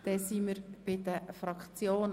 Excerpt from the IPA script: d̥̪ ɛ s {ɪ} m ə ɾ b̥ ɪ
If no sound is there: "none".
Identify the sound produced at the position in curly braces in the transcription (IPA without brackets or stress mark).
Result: i